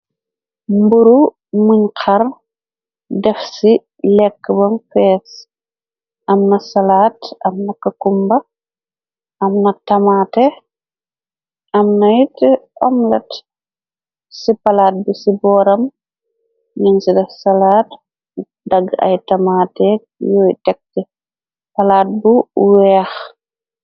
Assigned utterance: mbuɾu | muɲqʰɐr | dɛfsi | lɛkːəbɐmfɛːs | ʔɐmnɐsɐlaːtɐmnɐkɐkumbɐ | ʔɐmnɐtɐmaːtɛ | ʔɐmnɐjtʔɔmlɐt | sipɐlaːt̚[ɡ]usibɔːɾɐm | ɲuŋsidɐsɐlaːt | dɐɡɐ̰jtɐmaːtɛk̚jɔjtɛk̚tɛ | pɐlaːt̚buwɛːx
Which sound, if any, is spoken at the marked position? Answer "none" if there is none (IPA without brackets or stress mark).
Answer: b